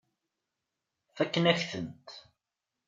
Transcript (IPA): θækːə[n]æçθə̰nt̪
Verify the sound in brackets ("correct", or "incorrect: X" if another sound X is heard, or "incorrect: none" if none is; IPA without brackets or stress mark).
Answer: correct